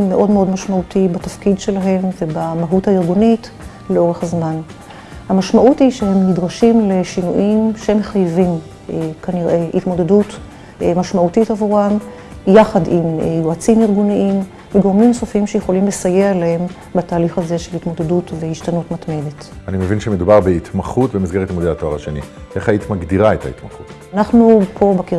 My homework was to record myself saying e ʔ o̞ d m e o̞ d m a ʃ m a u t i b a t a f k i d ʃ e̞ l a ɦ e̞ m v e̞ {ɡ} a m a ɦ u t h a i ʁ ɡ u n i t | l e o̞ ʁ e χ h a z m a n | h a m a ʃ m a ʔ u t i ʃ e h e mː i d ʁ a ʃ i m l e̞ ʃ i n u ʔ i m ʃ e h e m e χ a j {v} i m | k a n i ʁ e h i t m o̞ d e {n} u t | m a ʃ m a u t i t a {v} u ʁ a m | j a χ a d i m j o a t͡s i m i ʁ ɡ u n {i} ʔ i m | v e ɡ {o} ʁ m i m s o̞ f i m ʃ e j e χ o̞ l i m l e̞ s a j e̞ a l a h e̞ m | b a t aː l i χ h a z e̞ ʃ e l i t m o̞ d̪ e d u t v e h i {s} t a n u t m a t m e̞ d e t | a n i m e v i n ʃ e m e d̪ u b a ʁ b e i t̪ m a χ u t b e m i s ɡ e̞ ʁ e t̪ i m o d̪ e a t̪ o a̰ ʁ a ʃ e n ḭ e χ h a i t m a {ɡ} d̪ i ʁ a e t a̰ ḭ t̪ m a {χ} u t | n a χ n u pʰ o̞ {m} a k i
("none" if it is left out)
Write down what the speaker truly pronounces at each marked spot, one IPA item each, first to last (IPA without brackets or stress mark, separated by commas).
b, v, d, v, i, o, ʃ, ɡ, χ, b